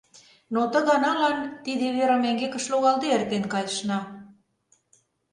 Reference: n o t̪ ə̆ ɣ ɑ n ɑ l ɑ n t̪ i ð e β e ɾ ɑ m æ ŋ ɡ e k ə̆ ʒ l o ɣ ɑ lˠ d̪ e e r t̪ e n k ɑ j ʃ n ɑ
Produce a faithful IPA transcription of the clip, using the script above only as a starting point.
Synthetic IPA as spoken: n o t̪ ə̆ ɣ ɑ n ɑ l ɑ n t̪ i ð e β e ɾ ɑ m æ ŋ ɡ e k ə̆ ʃ l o ɣ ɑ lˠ d̪ e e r t̪ e n k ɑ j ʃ n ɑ

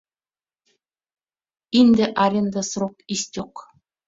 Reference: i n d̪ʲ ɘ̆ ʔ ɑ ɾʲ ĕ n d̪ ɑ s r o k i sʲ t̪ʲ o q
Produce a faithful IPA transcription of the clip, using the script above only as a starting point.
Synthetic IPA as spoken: i n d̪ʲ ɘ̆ ʔ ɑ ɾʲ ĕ n d̪ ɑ s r o k i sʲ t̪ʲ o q

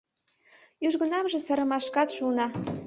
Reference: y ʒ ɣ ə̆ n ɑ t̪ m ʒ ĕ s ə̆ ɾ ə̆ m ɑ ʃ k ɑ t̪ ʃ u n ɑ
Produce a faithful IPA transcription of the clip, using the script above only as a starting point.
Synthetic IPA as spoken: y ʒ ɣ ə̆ n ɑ m ʒ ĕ s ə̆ ɾ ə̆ m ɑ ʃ k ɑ t̪ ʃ u n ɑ

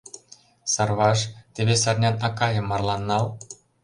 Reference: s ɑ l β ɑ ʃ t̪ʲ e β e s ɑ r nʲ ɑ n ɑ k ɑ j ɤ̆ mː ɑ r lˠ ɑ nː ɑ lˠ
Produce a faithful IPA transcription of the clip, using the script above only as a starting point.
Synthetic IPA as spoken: s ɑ r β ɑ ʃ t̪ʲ e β e s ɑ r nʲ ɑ n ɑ k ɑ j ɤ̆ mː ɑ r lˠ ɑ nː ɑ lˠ

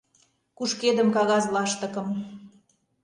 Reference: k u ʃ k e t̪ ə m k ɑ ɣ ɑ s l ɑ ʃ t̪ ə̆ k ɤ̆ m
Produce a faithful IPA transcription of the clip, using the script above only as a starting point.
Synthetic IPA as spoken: k u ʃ k e d̪ ə m k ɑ ɣ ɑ z l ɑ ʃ t̪ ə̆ k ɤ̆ m

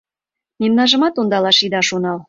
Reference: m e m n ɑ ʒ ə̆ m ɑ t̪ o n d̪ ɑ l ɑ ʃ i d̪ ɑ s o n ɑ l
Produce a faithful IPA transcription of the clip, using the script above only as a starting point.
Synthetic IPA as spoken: m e m n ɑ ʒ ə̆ m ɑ t̪ o n d̪ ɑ l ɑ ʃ i d̪ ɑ ʃ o n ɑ l

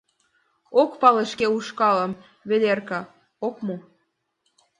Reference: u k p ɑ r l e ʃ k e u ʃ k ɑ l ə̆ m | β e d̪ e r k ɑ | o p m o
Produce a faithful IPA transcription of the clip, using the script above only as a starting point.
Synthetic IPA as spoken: o k p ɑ l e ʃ k e u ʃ k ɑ l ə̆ m | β e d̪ e r k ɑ | o k m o

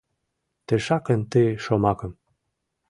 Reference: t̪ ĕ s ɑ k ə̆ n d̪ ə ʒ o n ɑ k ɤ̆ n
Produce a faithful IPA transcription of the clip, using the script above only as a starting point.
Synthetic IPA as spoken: t̪ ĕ ʃ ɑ k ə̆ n t̪ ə ʃ o m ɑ k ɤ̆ m

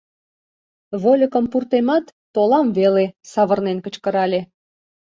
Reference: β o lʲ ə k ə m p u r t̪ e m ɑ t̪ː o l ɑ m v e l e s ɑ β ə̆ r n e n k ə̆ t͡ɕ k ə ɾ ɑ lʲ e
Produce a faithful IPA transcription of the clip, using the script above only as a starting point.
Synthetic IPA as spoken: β o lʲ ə k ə m p u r t̪ e m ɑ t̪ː o l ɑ m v e l e s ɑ β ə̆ r n e n k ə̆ t͡ɕ k ə ɾ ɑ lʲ e

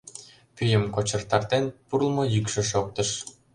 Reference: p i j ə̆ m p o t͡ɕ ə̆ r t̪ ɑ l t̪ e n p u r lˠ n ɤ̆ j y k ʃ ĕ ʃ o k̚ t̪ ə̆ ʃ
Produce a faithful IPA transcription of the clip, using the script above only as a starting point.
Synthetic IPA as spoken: p y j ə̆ m k o t͡ɕ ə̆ r t̪ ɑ r t̪ e n p u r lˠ m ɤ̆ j y k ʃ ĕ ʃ o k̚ t̪ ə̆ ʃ

